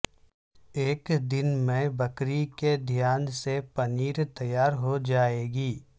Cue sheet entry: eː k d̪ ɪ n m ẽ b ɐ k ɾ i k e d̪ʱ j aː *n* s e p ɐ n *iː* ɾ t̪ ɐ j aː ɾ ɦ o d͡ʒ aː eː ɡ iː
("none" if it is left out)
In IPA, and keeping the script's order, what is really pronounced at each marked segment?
n, iː

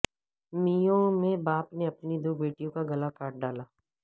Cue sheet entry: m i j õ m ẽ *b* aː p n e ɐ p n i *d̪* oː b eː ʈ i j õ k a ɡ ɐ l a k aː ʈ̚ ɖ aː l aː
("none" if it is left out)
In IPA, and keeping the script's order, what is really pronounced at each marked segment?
b, d̪

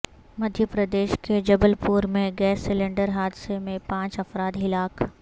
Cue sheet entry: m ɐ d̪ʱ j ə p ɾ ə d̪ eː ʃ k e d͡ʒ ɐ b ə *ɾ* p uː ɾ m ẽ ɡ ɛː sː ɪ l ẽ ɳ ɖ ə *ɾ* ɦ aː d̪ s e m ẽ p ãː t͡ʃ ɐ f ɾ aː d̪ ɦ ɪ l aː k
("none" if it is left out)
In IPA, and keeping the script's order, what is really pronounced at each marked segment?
l, ɾ

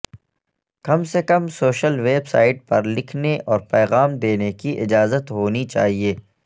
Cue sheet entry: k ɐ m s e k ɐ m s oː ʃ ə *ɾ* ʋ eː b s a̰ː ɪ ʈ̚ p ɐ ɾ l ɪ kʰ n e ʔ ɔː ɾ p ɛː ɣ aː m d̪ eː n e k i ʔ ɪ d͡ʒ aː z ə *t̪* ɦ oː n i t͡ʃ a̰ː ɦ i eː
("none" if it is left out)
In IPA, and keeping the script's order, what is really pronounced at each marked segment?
l, t̪

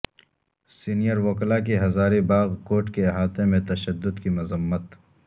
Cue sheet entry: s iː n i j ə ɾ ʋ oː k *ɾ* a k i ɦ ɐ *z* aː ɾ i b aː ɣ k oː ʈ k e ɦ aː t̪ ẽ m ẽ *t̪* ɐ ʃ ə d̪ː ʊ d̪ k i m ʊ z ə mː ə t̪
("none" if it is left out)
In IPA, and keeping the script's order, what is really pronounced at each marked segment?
l, z, t̪

